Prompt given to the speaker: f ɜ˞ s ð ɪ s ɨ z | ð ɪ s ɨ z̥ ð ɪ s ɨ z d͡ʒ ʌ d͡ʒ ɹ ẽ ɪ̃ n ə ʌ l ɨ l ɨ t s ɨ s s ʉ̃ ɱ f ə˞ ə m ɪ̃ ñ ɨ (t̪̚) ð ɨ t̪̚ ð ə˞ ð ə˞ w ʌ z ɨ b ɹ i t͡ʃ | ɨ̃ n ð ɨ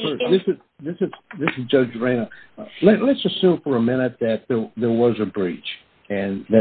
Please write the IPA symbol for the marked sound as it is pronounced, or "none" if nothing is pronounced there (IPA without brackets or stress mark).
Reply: t̪̚